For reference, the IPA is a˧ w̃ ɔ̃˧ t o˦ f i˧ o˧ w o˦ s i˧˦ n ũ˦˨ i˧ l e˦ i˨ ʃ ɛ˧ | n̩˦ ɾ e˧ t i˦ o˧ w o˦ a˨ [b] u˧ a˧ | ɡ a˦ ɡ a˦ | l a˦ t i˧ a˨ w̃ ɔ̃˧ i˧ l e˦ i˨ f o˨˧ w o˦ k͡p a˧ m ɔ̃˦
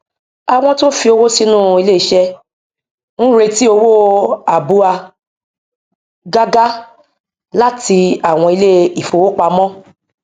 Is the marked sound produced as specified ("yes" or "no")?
yes